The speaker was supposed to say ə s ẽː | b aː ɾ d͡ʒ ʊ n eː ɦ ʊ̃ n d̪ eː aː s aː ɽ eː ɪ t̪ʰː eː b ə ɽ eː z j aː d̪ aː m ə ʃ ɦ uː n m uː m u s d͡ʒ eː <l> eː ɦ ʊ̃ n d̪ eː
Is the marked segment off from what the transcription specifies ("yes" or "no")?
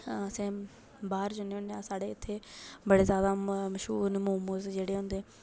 yes